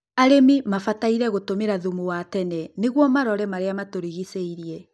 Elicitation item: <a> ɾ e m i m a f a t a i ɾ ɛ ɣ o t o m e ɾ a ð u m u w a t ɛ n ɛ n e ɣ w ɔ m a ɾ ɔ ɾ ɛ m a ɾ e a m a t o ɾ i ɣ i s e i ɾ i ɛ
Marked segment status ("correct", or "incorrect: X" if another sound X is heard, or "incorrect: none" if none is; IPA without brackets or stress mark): correct